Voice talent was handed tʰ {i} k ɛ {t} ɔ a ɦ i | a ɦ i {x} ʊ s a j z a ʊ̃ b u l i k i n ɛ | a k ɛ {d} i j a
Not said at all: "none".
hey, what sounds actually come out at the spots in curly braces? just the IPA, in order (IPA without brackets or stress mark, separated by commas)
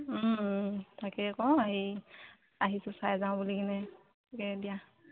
a, k, s, d